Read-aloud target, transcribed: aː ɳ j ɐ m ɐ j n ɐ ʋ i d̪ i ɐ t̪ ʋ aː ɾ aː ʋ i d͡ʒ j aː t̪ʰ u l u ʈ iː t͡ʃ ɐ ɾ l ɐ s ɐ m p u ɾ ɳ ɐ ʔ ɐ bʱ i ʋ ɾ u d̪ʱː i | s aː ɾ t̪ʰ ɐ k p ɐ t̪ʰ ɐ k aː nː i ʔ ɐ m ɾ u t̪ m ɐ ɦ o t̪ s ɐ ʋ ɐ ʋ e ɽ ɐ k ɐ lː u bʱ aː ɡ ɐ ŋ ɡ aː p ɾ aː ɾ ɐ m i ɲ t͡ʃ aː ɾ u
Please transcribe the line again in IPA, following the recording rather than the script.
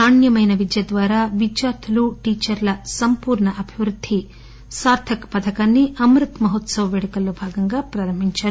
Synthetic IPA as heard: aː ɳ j ɐ m ɐ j n ɐ ʋ i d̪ j ɐ d̪ ʋ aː ɾ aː ʋ i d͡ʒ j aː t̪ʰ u l u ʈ iː t͡ʃ ɐ ɾ l ɐ s ɐ m p uː ɾ ɳ ɐ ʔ ɐ bʱ i ʋ ɾ u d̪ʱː i | s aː ɾ t̪ʰ ɐ k p ɐ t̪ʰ ɐ k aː nː i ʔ ɐ m ɾ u t̪ m ɐ ɦ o t̪ s ɐ ʋ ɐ ʋ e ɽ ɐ k ɐ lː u bʱ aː ɡ ɐ ŋ ɡ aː p ɾ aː ɾ ɐ m i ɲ t͡ʃ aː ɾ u